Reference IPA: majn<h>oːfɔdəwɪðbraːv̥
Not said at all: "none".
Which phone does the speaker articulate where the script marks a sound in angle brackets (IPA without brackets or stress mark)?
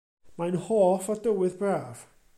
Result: h